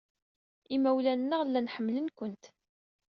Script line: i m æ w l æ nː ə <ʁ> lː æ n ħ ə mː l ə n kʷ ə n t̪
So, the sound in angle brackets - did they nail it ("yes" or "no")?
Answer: yes